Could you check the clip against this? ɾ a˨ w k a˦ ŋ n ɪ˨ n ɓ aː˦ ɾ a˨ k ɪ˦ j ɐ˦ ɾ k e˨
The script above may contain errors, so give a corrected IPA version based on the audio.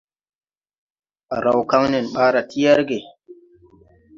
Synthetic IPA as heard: ɾ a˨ w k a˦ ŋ n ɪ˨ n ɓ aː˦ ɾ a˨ t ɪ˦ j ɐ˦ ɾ ɡ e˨